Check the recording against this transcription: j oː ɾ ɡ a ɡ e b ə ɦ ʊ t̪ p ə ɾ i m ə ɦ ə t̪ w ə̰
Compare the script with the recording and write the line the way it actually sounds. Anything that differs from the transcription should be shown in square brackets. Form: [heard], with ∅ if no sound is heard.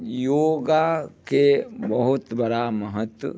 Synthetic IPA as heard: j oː [∅] ɡ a [k] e b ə ɦ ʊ t̪ [b] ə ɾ [a] m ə ɦ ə t̪ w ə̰